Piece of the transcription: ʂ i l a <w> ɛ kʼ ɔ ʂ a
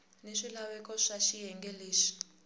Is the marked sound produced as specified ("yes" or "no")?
yes